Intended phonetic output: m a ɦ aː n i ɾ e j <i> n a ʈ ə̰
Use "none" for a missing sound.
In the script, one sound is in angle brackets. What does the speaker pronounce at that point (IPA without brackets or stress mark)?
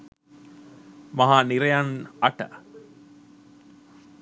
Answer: a